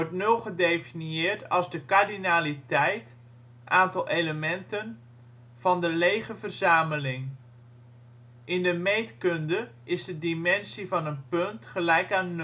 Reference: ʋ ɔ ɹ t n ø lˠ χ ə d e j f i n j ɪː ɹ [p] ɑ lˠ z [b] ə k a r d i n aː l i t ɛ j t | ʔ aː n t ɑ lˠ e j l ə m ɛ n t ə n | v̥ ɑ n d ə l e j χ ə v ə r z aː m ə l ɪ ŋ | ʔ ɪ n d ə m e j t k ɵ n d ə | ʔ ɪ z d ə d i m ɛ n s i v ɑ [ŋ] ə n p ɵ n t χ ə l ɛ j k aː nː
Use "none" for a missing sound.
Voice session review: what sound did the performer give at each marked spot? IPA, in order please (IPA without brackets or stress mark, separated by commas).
t, d, n